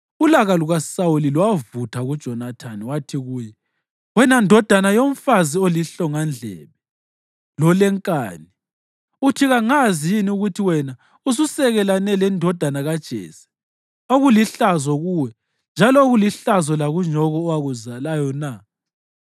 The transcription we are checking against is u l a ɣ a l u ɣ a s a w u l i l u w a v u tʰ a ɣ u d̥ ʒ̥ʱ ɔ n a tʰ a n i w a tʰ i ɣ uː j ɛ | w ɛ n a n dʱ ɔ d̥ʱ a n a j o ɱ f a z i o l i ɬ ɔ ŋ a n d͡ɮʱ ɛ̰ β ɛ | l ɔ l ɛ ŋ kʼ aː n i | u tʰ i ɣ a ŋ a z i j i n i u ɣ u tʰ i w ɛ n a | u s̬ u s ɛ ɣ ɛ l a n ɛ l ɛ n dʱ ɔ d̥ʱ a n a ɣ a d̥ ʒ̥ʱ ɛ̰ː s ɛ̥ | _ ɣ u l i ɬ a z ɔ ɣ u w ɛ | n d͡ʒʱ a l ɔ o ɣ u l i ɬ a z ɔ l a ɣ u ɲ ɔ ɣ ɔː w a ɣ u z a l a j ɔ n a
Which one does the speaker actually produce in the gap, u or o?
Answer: o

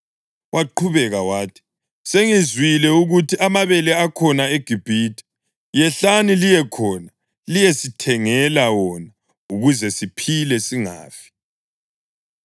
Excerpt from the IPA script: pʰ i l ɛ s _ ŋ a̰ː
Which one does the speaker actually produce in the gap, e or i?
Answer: i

